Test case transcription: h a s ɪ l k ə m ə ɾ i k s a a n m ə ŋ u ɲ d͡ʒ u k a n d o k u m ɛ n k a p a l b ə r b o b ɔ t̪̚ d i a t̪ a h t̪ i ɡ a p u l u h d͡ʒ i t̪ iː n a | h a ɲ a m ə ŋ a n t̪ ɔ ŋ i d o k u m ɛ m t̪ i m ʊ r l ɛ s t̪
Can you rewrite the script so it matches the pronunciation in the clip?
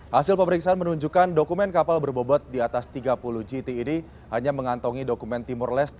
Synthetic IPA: h a s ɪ l p ə m ə ɾ i k s a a n m ə n u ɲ d͡ʒ u k a n d o k u m ɛ n k a p a l b ə r b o b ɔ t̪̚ d i a t̪ a s t̪ i ɡ a p u l u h d͡ʒ i t̪ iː n i | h a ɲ a m ə ŋ a n t̪ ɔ ŋ i d o k u m ɛ n t̪ i m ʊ r l ɛ s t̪